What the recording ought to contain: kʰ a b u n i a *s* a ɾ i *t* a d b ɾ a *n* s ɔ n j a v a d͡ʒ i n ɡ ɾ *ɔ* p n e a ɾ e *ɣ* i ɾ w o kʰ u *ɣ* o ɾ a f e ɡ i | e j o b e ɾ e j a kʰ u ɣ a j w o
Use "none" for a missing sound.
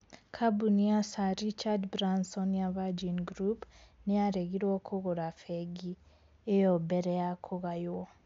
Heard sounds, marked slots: s, t͡ʃ, n, u, ɣ, ɣ

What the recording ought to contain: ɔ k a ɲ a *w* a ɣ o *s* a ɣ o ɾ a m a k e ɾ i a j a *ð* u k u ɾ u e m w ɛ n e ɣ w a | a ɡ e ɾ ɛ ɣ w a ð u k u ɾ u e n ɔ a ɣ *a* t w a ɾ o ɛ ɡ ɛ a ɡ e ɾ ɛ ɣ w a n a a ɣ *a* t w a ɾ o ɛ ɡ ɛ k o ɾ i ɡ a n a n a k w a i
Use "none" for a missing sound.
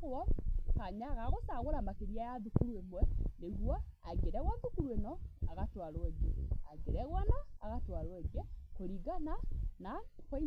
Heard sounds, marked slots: ɣ, s, ð, a, a

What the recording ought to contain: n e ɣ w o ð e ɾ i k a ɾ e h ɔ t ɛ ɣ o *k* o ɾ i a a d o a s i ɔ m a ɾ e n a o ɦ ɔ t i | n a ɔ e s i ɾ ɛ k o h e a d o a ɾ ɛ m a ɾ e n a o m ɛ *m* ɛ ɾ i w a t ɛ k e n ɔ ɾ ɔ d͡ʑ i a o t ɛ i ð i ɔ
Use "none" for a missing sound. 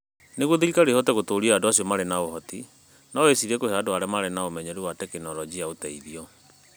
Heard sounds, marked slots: t, ɲ

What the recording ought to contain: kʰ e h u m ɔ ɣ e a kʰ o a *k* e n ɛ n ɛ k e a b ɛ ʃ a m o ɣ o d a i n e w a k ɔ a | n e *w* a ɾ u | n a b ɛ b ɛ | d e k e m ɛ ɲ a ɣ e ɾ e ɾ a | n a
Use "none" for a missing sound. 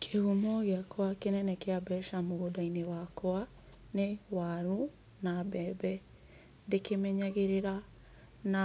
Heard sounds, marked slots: k, w

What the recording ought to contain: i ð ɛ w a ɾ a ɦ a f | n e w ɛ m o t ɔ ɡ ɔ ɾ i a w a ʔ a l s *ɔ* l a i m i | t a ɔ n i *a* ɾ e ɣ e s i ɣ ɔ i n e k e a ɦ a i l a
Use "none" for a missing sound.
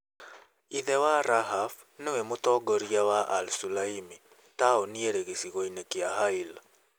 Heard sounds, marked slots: u, e

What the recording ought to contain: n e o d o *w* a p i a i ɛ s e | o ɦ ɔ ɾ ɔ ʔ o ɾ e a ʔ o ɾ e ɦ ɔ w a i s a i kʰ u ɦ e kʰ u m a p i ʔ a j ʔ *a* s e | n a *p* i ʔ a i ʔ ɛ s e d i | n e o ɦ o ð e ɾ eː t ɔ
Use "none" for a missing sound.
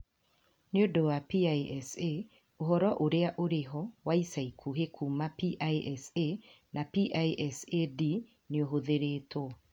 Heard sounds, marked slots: w, ɛ, p

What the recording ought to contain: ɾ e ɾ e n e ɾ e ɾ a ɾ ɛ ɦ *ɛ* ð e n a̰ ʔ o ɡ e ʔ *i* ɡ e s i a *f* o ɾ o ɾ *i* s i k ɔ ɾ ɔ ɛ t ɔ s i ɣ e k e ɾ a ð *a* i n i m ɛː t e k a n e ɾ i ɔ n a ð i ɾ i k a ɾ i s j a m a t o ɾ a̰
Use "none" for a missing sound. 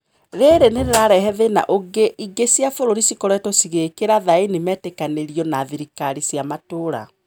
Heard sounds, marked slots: ɛ, i, f, i, a

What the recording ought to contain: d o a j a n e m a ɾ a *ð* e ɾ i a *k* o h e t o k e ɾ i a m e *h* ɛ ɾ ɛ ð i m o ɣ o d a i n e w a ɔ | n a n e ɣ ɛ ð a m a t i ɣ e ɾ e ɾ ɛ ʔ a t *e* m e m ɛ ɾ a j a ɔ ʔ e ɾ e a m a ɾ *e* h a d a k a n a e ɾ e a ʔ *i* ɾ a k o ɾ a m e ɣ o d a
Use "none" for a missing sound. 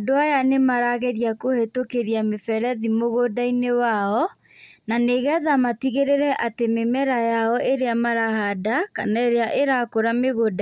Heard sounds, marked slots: ɣ, k, f, e, a, e

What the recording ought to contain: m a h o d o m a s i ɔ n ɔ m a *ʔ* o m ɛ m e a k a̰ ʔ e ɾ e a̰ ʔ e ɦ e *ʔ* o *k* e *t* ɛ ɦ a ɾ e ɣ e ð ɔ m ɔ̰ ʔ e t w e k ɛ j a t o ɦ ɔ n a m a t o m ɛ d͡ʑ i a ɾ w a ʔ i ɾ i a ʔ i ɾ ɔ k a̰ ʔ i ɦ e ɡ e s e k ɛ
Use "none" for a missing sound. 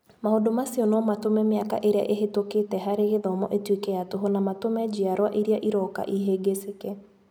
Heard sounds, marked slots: t, t, k, t

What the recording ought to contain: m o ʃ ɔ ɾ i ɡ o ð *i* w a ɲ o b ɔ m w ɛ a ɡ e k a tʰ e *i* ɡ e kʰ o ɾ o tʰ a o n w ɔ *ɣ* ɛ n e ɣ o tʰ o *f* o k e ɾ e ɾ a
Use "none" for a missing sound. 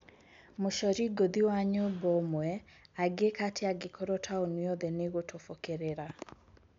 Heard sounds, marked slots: i, a, ð, f

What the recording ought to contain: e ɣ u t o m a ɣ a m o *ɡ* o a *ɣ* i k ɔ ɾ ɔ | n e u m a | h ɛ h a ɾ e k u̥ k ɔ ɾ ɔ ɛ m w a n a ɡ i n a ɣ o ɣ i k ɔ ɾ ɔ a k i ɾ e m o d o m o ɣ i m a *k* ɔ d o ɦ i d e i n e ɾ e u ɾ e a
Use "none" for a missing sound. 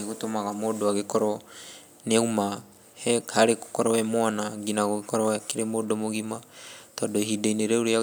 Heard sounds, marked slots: d, ɣ, t

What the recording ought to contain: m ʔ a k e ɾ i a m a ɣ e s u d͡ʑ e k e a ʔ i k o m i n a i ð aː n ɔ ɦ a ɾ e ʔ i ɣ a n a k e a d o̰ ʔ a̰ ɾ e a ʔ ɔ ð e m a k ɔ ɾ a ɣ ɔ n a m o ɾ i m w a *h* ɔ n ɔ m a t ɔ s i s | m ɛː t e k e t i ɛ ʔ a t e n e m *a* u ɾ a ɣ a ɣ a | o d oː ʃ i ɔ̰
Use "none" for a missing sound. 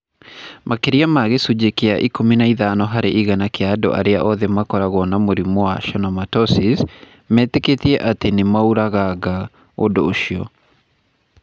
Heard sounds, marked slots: ʃ, a

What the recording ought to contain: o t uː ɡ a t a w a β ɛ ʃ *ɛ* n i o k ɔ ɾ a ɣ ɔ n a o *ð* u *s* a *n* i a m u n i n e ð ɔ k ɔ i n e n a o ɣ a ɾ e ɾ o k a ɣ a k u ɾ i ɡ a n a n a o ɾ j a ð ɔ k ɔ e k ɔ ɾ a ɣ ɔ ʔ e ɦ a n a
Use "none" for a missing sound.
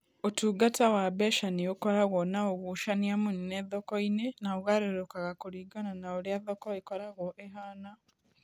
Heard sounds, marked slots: a, ɣ, ʃ, n

